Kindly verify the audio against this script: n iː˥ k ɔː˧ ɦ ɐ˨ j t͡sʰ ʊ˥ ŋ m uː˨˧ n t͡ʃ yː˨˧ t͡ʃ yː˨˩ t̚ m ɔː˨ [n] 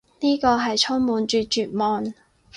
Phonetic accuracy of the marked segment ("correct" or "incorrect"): correct